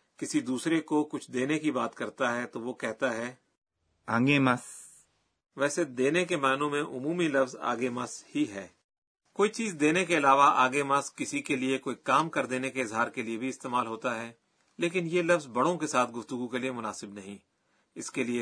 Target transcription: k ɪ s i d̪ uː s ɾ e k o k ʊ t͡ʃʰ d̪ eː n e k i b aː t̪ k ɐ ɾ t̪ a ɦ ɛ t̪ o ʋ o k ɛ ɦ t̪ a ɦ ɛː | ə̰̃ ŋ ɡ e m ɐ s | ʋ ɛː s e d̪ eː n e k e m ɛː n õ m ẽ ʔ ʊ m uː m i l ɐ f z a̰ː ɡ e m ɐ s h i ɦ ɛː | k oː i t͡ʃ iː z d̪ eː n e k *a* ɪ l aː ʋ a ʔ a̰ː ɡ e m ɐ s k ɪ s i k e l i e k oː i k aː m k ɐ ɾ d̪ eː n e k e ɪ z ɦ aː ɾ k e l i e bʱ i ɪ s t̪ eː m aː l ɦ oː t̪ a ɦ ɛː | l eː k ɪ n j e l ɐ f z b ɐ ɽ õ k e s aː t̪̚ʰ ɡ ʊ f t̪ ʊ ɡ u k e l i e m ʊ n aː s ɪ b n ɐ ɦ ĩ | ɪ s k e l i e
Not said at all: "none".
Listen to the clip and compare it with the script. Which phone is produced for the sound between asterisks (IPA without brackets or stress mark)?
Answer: e